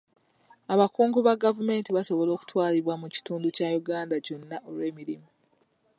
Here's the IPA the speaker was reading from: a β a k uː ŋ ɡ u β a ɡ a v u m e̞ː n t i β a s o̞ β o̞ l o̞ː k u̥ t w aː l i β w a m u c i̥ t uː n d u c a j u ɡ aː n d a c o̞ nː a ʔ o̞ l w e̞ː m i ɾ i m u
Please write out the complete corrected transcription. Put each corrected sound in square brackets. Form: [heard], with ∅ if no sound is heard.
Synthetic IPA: a β a k uː ŋ ɡ u β a ɡ a v u m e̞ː n t i β a s o̞ β o̞ l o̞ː k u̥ t w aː l i β w a m u c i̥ t uː n d u c a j u ɡ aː n d a c o̞ nː a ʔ o̞ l w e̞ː m i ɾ i m u